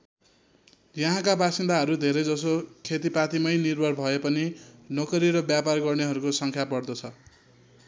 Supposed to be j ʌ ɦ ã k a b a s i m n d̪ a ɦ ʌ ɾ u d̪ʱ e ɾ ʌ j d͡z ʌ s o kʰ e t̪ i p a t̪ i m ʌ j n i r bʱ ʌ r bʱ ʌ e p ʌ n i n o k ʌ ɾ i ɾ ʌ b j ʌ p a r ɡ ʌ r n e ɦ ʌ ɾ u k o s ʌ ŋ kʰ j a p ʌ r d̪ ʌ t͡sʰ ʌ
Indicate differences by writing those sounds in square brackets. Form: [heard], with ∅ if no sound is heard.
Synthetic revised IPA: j ʌ ɦ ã k a b a s i [∅] n d̪ a ɦ ʌ ɾ u d̪ʱ e ɾ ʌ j d͡z ʌ s o kʰ e t̪ i p a t̪ i m ʌ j n i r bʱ ʌ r bʱ ʌ e p ʌ n i n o k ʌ ɾ i ɾ ʌ b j [a] p a r ɡ ʌ r n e ɦ ʌ ɾ u k o s ʌ ŋ kʰ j a p ʌ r d̪ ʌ t͡sʰ ʌ